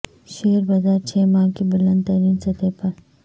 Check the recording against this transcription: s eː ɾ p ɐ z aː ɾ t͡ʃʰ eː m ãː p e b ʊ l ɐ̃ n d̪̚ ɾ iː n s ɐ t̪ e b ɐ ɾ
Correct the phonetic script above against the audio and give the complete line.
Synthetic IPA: ʃ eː ɾ b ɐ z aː ɾ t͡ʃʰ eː m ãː k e b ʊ l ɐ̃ n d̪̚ ɾ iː n s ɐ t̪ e p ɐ ɾ

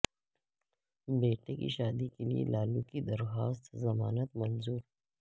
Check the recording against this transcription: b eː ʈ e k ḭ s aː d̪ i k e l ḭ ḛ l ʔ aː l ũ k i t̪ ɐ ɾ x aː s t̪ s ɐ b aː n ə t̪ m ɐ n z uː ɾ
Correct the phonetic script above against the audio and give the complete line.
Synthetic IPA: b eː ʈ e k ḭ ʃ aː d̪ i k e l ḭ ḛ l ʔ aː l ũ k i d̪ ɐ ɾ x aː s t̪ z ɐ m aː n ə t̪ m ɐ n z uː ɾ

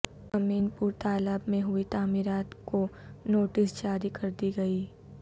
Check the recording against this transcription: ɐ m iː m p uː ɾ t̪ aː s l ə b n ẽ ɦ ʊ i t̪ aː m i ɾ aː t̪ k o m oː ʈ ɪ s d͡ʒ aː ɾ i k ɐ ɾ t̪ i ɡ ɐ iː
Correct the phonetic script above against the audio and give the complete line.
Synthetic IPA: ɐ m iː n p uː ɾ t̪ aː l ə b m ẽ ɦ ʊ i t̪ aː m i ɾ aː t̪ k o n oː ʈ ɪ s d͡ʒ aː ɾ i k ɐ ɾ d̪ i ɡ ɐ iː

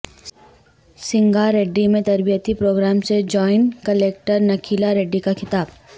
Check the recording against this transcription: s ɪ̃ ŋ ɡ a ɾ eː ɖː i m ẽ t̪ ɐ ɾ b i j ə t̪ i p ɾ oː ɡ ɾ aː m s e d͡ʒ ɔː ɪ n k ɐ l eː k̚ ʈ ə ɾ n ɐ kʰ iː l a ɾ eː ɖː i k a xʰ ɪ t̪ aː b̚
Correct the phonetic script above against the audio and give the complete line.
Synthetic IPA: s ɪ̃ ŋ ɡ a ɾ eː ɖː i m ẽ t̪ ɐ ɾ b i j ə t̪ i p ɾ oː ɡ ɾ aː m s e d͡ʒ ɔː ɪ n k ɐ l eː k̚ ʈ ə ɾ n ɐ kʰ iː l a ɾ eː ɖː i k a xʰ ɪ t̪ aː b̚

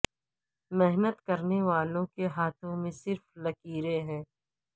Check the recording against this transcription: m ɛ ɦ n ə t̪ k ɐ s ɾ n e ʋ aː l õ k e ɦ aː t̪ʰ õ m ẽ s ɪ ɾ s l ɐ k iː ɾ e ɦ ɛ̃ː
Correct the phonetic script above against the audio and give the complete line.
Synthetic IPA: m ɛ ɦ n ə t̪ k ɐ ɾ n e ʋ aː l õ k e ɦ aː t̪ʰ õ m ẽ s ɪ ɾ f l ɐ k iː ɾ e ɦ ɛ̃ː

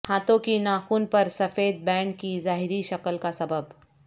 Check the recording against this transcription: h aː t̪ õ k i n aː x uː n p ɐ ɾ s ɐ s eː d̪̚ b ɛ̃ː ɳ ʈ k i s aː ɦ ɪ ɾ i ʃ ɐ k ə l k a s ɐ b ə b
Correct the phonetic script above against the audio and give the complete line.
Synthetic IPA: h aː t̪ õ k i n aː x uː n p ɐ ɾ s ɐ f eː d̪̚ b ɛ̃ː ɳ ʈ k i z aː ɦ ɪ ɾ i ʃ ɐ k ə l k a s ɐ b ə b

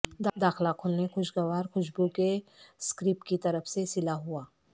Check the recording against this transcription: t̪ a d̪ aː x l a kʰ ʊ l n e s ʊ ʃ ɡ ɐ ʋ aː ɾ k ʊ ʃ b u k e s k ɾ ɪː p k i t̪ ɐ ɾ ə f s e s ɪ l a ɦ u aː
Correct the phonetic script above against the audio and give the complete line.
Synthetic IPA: d̪ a d̪ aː x l a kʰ ʊ l n e x ʊ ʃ ɡ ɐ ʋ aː ɾ x ʊ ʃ b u k e s k ɾ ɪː p k i t̪ ɐ ɾ ə f s e s ɪ l a ɦ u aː

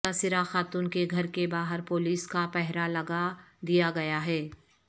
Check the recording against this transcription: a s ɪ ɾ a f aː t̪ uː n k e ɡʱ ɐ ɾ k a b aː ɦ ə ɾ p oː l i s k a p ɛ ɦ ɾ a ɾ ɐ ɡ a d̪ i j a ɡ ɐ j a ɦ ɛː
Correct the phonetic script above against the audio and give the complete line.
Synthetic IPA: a s ɪ ɾ a x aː t̪ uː n k e ɡʱ ɐ ɾ k e b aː ɦ ə ɾ p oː l iː s k a p ɛ ɦ ɾ a l ɐ ɡ a d̪ i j a ɡ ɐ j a ɦ ɛː

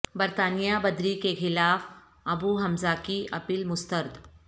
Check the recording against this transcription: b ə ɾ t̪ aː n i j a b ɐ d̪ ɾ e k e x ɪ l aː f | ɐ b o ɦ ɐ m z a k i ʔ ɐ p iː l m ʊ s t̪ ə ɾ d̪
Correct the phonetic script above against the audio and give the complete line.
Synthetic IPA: b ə ɾ t̪ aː n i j a b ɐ d̪ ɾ i k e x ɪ l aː f | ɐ b u ɦ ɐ m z a k i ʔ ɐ p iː l m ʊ s t̪ ə ɾ d̪

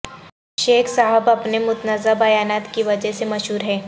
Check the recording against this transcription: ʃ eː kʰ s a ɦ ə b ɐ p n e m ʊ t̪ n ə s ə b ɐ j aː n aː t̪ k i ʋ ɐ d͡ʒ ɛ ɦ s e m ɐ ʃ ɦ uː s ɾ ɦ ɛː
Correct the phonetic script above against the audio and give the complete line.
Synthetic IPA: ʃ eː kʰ s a ɦ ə b ɐ p n e m ʊ t̪ n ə z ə b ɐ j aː n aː t̪ k i ʋ ɐ d͡ʒ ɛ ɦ s e m ɐ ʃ ɦ uː ɾ ɦ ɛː

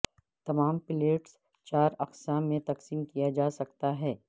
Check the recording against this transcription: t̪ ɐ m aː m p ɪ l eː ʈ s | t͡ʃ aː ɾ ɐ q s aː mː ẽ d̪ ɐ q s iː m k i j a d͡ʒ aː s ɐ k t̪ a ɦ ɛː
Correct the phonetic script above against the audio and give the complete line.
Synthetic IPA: t̪ ɐ m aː m p ɪ l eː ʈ s | t͡ʃ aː ɾ ɐ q s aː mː ẽ t̪ ɐ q s iː m k i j a d͡ʒ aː s ɐ k t̪ a ɦ ɛː

